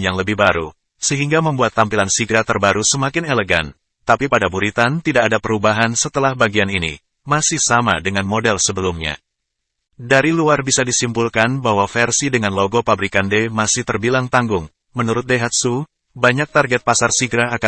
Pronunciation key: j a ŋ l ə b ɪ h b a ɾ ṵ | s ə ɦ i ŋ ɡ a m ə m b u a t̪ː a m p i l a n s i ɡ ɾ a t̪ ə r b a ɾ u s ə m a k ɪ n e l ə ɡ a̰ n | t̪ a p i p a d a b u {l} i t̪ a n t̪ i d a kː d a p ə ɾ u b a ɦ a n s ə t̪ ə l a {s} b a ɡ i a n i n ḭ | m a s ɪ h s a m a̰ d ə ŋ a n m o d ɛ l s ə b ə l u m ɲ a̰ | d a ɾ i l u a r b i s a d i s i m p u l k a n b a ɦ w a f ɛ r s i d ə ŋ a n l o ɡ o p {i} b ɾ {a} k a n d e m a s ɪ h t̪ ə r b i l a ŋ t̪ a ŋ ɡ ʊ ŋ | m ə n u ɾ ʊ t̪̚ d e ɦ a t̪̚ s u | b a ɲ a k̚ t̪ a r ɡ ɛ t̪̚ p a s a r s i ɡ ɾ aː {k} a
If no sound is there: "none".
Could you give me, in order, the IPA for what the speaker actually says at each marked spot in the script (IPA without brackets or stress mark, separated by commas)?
ɾ, h, a, i, k